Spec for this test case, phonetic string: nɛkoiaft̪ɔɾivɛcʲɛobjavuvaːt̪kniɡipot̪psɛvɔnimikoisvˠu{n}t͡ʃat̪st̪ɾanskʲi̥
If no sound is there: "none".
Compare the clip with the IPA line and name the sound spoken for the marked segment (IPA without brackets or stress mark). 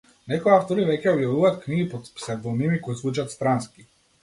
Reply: none